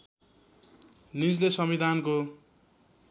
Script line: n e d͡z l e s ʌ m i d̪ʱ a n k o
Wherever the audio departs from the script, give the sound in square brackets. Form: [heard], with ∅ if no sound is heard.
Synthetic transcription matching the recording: n [i] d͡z l e s ʌ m i d̪ʱ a n k o